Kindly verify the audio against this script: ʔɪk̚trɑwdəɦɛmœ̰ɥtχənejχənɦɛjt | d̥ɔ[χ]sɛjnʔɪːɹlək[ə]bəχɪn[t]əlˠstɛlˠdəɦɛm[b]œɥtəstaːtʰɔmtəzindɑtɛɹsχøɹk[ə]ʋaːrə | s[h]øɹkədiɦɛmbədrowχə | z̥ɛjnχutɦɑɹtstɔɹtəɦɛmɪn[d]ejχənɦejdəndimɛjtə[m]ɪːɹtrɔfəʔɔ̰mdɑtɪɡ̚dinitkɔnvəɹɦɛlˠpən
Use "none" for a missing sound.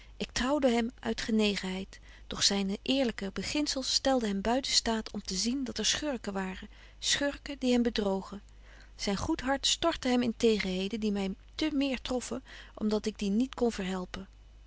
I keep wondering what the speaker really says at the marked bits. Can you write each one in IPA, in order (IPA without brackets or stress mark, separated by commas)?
χ, ə, s, b, ə, χ, t, m